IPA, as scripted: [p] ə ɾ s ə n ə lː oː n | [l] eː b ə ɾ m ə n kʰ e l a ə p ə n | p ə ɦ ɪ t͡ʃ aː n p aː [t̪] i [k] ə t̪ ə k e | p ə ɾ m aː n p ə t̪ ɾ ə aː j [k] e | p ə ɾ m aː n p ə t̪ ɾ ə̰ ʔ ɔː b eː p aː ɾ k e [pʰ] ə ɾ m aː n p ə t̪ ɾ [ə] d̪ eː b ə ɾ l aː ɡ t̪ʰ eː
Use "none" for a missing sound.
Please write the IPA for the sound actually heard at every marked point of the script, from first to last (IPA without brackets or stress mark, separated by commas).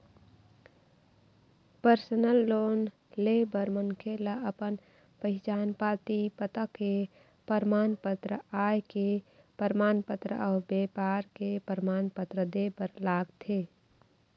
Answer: p, l, t̪, p, k, p, ə